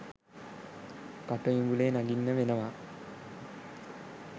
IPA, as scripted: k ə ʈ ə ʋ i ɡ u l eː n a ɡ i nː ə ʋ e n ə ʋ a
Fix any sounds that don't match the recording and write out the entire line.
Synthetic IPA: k a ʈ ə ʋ i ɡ u l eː n a ɡ i nː ə ʋ e n ə ʋ a